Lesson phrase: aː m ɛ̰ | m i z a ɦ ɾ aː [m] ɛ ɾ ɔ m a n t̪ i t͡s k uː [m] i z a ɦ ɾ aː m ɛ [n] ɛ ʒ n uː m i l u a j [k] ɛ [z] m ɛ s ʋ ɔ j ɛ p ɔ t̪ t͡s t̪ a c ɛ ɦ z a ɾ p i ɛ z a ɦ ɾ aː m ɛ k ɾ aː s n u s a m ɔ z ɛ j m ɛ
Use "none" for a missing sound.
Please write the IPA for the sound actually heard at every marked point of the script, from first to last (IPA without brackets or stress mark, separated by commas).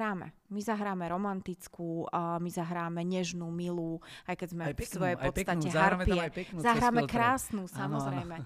m, m, ɲ, k, z